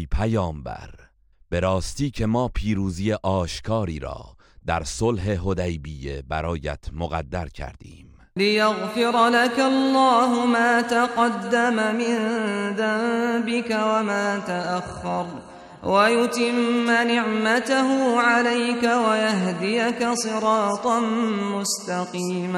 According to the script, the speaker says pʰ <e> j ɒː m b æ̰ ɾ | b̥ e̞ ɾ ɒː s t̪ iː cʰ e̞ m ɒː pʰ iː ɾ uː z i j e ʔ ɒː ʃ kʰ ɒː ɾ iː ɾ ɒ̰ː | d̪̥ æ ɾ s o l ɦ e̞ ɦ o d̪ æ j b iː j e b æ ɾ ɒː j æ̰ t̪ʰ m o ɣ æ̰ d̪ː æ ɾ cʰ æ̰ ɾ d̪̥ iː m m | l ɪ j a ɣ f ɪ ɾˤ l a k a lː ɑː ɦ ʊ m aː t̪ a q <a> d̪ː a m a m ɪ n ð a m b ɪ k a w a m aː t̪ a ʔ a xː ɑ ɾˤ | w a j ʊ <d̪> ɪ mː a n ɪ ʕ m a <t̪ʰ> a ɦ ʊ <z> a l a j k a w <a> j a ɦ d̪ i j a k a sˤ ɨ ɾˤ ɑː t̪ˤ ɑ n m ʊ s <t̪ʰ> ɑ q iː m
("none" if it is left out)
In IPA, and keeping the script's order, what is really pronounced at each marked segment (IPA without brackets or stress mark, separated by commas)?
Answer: æ, ɑ, t̪, t̪, ʕ, a, t̪